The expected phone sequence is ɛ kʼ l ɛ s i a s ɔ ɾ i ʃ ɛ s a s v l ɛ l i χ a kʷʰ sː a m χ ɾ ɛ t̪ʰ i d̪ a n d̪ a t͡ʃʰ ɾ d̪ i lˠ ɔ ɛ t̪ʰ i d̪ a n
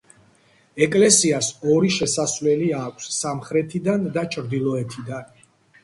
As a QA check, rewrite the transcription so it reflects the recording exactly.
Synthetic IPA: ɛ kʼ l ɛ s i a s ɔ ɾ i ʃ ɛ s a s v l ɛ l i a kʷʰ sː a m χ ɾ ɛ t̪ʰ i d̪ a n d̪ a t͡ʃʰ ɾ d̪ i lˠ ɔ ɛ t̪ʰ i d̪ a n